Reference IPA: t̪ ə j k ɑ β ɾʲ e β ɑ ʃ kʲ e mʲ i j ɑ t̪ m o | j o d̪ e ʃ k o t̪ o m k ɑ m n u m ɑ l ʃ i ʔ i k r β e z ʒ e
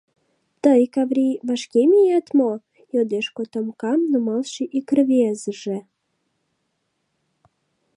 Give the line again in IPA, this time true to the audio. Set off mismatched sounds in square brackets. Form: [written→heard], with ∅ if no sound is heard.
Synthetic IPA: t̪ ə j k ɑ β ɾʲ [e→i] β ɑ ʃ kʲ e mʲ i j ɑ t̪ m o | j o d̪ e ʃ k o t̪ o m k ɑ m n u m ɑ l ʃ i ʔ i k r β e z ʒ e